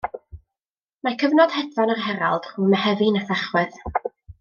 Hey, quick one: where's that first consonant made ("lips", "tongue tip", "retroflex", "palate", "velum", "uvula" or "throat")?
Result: lips